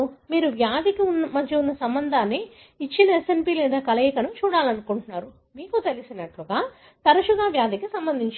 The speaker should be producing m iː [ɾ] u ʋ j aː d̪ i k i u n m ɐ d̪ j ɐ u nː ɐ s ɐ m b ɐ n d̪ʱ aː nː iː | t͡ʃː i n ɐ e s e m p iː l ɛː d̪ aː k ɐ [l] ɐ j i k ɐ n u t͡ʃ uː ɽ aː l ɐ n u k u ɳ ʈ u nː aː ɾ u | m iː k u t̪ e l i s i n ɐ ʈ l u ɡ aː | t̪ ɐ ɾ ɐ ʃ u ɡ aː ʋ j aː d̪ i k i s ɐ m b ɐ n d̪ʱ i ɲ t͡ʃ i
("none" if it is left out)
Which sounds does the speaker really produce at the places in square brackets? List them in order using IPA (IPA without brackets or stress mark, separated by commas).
ɾ, l